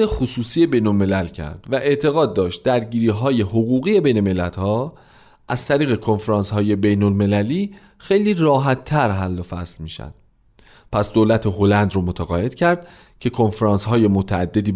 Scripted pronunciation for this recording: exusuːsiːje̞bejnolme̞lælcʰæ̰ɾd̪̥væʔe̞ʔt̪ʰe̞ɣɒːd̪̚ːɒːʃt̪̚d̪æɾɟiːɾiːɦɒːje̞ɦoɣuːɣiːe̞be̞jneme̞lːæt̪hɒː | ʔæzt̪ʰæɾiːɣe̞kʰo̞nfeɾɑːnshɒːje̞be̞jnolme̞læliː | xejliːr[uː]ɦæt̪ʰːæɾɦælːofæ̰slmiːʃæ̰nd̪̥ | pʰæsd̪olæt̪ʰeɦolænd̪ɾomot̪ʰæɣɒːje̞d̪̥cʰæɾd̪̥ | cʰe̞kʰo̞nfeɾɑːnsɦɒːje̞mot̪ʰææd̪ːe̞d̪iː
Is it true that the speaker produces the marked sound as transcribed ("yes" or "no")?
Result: no